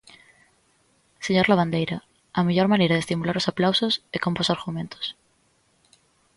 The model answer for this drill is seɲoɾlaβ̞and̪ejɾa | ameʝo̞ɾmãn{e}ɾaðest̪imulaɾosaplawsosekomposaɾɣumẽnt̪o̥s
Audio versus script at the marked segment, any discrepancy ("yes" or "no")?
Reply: no